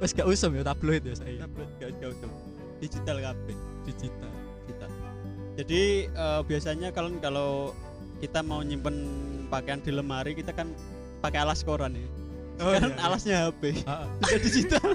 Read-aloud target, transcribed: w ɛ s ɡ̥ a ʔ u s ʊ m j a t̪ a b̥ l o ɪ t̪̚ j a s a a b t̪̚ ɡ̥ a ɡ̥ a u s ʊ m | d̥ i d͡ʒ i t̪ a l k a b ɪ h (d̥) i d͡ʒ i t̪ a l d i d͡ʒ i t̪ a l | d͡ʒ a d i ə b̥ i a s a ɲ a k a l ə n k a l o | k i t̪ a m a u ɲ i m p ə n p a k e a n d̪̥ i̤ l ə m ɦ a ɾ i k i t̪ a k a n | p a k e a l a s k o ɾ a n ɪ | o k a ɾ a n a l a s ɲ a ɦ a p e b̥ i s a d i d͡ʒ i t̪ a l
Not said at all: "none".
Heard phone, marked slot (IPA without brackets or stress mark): d̥